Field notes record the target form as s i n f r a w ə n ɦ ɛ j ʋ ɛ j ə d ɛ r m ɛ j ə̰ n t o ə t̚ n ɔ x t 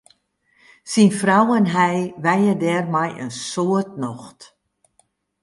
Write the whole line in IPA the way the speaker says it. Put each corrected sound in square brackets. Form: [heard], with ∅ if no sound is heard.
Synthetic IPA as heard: s i n f r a w ə n ɦ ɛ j ʋ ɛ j ə d ɛ r m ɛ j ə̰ n [s] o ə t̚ n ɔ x t